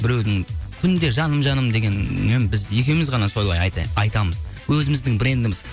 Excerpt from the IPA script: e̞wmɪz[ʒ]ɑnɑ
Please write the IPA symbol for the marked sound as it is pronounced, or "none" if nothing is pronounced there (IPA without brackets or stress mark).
ʁ